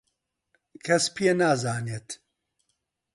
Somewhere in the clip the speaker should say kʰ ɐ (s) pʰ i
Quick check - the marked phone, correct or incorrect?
correct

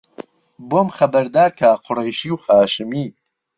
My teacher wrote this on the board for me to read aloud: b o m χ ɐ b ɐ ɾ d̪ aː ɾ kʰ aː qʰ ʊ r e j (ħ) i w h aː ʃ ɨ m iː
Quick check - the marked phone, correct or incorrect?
incorrect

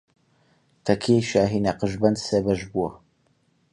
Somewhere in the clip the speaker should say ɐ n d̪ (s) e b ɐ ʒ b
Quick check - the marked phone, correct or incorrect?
correct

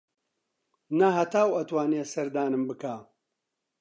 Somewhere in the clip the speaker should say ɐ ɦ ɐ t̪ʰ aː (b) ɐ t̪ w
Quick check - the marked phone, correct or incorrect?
incorrect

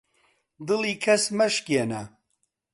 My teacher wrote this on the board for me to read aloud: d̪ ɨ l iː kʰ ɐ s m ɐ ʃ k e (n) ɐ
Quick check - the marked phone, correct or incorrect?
correct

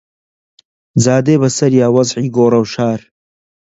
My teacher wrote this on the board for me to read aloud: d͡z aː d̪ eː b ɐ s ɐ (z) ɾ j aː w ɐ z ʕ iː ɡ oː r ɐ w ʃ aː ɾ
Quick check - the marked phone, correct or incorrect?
incorrect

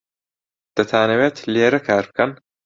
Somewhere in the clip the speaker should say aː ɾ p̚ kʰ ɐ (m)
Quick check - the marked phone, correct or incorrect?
incorrect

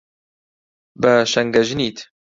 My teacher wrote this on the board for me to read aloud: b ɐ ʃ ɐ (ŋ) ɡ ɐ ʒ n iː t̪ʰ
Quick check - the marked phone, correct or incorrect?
correct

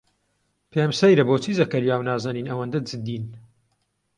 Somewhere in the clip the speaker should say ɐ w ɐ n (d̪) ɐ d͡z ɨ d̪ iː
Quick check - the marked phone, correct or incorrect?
correct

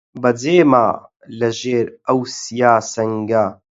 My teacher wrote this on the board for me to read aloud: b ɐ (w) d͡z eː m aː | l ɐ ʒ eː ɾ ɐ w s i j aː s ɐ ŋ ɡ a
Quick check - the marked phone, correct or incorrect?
incorrect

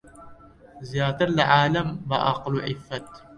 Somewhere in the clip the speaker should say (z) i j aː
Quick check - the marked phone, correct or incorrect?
correct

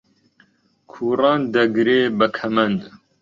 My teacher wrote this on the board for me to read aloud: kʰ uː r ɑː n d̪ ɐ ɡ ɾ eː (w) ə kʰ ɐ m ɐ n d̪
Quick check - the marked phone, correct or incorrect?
incorrect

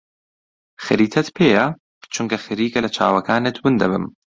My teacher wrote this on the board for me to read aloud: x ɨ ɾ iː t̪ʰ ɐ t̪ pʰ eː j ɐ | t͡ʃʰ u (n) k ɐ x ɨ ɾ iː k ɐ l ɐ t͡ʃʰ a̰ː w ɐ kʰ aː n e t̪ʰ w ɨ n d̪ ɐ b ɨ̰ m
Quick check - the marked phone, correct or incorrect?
incorrect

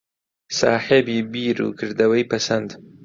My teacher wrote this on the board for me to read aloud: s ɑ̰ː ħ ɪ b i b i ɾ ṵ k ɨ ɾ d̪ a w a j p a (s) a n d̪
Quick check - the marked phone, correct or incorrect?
correct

